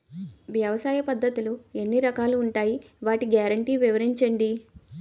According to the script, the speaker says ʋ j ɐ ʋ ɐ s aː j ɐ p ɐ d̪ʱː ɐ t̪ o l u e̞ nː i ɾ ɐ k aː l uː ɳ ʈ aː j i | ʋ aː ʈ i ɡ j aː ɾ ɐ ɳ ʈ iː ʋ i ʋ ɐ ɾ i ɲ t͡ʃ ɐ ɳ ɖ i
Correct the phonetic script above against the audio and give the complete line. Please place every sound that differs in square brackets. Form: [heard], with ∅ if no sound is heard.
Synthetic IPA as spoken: ʋ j ɐ ʋ ɐ s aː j ɐ p ɐ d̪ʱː ɐ t̪ [u] l u e̞ nː i ɾ ɐ k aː l uː ɳ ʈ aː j i | ʋ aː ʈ i ɡ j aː ɾ ɐ ɳ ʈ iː ʋ i ʋ ɐ ɾ i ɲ t͡ʃ ɐ ɳ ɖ i